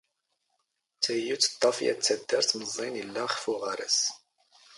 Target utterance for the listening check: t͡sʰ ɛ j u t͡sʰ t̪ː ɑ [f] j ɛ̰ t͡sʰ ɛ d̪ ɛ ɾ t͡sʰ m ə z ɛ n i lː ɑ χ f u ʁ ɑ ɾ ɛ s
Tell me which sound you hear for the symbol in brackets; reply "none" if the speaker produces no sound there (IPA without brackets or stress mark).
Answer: f